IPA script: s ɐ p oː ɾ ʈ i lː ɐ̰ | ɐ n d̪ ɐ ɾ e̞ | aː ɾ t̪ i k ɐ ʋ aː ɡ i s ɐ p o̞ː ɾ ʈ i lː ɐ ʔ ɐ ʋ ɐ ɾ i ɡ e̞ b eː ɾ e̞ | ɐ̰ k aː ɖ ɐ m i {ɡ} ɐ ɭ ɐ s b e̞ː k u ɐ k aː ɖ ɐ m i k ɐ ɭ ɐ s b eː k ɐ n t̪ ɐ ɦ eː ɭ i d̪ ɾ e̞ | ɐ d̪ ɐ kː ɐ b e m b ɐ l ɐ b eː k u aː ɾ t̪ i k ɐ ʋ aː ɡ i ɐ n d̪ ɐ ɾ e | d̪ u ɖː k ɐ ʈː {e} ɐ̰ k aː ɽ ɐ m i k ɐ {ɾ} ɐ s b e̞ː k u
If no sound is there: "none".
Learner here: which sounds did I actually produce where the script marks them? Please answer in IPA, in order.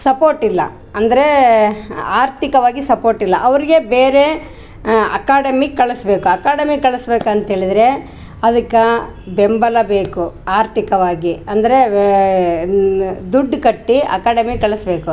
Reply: k, i, ɭ

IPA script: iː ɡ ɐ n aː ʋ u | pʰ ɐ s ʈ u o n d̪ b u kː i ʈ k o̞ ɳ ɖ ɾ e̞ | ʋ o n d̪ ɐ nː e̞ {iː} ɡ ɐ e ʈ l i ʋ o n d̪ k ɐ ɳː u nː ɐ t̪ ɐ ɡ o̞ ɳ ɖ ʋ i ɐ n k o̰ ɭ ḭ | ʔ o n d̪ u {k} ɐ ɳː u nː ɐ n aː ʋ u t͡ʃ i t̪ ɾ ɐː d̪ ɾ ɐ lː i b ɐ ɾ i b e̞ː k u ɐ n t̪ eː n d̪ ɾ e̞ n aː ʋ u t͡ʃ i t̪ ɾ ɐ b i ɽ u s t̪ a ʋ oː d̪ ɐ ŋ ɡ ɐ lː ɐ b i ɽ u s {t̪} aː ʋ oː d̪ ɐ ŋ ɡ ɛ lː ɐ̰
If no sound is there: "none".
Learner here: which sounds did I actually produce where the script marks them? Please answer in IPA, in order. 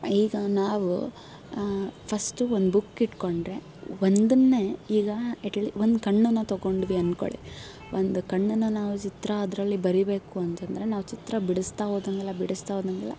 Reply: iː, k, t̪

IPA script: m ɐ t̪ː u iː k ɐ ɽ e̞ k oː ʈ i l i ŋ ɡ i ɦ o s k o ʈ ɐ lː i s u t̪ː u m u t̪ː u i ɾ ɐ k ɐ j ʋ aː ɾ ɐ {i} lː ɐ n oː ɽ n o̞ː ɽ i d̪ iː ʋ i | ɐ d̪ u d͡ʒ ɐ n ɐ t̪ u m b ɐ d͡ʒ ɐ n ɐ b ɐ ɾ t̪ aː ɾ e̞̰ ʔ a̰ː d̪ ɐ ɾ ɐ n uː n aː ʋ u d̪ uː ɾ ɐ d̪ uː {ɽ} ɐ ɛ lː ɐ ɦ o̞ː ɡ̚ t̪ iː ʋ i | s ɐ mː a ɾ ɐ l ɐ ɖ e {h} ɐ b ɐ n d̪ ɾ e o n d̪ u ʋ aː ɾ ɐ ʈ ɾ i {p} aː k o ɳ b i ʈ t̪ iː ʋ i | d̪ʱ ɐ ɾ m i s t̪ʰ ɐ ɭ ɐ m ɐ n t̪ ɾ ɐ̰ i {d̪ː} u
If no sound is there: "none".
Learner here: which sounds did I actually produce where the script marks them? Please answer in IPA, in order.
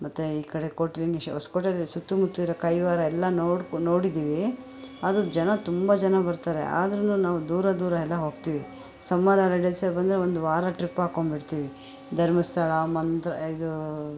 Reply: ɛ, ɾ, s, p, d̪

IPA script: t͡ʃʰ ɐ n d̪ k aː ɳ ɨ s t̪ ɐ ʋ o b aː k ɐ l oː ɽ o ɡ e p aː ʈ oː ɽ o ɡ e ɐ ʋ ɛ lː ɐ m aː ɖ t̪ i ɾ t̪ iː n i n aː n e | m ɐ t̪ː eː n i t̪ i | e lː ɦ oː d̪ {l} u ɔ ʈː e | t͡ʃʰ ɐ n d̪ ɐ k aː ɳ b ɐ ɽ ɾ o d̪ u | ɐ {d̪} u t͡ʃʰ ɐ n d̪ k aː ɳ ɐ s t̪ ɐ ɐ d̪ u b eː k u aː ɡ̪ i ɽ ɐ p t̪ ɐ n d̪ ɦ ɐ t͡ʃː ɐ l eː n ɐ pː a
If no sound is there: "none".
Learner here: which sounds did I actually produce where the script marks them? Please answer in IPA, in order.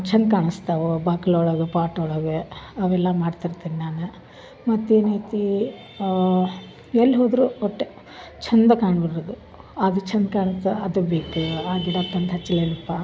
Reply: ɾ, d̪

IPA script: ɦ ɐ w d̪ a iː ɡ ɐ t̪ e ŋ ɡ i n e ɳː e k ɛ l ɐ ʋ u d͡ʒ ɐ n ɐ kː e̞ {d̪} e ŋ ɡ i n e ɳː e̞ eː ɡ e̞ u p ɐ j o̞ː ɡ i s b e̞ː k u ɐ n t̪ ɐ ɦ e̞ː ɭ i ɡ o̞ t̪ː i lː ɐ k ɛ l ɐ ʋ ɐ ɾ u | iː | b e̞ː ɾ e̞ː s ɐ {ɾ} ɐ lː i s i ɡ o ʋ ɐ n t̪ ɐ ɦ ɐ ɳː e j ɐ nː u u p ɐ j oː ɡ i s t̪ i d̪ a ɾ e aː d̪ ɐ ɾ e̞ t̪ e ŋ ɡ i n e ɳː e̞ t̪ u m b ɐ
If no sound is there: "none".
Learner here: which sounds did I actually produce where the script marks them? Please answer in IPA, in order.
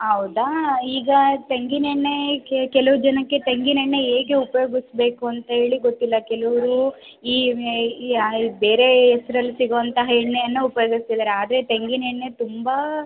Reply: t̪, ɾ

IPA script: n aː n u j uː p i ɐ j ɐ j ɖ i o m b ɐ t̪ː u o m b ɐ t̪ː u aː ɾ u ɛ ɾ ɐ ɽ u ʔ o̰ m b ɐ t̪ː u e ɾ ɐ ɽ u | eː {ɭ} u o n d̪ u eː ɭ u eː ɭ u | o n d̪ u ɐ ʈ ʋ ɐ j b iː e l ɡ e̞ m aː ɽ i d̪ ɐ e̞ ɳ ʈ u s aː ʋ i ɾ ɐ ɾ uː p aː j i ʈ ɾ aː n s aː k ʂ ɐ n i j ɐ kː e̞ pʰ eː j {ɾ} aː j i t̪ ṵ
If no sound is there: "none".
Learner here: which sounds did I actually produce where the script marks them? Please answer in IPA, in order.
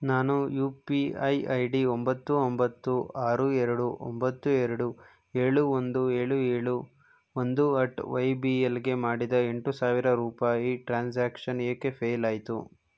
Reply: ɭ, l

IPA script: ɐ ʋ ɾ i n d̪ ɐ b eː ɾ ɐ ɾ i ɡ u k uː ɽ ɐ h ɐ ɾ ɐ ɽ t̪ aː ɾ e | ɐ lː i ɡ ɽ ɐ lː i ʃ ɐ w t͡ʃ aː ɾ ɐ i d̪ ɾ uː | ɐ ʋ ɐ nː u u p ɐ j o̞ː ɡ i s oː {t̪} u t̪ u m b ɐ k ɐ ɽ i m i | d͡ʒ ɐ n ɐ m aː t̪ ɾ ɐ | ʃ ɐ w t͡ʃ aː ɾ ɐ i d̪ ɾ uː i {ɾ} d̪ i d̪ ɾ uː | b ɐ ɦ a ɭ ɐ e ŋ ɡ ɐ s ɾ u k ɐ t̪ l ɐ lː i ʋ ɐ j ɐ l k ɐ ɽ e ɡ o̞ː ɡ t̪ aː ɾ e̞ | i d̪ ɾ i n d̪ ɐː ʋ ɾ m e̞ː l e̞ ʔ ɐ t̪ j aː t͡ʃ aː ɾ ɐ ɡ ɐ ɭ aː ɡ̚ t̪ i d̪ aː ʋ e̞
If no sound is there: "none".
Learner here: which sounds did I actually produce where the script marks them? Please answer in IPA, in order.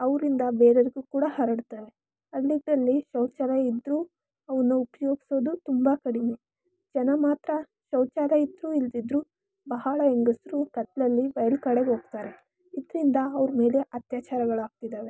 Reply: d̪, l

